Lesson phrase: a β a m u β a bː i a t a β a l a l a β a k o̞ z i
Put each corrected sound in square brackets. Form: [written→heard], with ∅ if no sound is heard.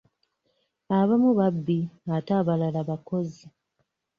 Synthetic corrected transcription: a β a m u β a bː i a t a β a l a l a β a k o̞ z i